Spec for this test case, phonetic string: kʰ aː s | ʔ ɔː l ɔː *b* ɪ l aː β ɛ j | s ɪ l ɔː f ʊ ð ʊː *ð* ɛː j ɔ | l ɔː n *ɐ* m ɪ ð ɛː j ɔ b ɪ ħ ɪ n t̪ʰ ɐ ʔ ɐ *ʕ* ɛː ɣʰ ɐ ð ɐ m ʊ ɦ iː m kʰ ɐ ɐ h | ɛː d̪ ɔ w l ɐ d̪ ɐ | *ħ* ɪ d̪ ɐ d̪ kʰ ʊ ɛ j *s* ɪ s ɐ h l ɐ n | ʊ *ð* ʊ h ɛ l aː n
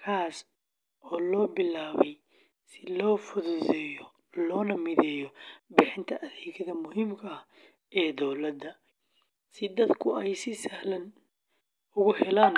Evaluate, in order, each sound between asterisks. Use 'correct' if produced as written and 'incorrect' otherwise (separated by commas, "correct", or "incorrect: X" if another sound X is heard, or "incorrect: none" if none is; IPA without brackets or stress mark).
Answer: correct, correct, correct, incorrect: ð, incorrect: s, correct, incorrect: ɣ